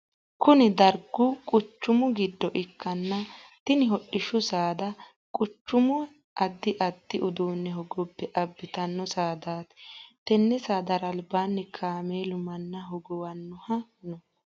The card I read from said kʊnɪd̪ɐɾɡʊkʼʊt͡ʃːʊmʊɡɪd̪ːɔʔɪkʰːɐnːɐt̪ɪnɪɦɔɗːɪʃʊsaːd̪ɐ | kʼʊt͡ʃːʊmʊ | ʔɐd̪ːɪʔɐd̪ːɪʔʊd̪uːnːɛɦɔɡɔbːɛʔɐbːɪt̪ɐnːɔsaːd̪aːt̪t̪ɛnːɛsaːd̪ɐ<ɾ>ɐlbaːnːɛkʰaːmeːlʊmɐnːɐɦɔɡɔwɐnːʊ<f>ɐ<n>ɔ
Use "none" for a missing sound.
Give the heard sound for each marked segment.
ɾ, h, n

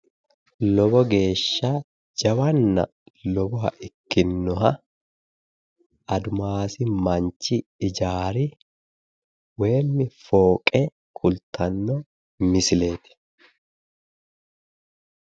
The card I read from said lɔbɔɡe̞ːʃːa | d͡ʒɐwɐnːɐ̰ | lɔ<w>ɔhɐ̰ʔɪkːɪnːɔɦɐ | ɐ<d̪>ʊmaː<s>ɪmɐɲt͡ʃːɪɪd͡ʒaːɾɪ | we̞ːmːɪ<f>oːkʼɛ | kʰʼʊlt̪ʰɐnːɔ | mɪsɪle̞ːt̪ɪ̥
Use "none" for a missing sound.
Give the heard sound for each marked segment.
b, d̪, s, f

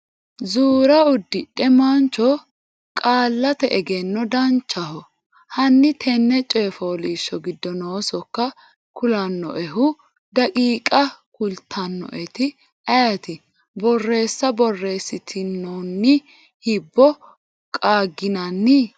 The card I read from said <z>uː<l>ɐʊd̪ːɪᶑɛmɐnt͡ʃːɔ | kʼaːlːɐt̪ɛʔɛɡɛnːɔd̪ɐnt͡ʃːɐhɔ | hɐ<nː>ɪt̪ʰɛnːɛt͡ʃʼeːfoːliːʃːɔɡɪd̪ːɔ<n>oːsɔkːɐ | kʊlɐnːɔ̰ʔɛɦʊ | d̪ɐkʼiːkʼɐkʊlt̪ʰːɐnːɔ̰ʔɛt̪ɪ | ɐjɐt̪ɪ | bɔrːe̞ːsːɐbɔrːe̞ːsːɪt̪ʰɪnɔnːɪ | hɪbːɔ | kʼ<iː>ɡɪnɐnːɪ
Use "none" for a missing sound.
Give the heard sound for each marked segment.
z, ɾ, nː, n, aː

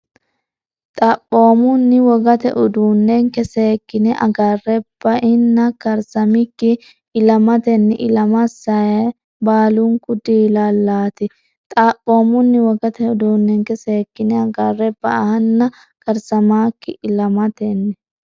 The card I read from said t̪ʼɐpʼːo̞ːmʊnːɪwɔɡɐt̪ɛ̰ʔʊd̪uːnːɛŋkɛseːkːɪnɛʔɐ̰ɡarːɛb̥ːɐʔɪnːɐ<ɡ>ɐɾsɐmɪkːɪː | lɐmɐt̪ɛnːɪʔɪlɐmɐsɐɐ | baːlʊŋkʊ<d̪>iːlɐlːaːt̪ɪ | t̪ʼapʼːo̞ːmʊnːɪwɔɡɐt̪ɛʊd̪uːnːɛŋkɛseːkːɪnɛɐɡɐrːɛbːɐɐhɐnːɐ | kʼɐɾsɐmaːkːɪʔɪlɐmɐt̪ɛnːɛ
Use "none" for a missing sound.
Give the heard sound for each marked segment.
k, d̪

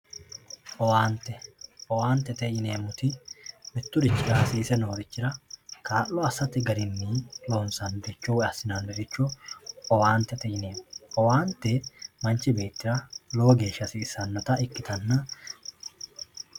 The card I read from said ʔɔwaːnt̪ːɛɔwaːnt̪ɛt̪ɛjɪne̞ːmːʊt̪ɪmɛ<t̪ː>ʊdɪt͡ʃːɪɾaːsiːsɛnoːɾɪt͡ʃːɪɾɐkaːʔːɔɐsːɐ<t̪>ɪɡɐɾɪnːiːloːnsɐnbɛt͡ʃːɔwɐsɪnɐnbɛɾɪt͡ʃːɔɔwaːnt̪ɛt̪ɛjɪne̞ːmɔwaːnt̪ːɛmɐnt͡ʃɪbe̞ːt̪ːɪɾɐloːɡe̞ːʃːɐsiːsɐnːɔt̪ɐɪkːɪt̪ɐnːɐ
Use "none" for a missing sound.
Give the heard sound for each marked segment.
t̪ː, t̪

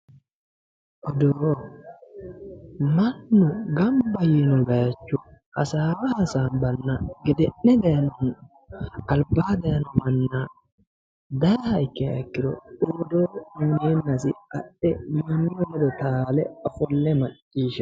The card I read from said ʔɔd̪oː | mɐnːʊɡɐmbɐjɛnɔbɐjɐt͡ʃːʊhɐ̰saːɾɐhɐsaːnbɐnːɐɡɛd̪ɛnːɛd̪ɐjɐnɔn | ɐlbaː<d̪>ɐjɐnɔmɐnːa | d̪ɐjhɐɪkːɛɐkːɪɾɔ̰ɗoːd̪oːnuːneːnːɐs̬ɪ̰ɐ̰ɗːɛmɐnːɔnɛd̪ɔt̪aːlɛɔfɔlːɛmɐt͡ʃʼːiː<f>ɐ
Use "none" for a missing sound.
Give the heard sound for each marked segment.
d̪, ʃ

